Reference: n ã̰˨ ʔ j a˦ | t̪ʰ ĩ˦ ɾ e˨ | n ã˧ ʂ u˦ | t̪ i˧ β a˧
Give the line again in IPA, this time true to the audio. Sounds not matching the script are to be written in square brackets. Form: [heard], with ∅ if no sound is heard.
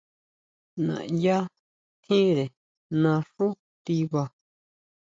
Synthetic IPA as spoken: n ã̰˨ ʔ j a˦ | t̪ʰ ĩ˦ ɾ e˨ | n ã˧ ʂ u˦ | t̪ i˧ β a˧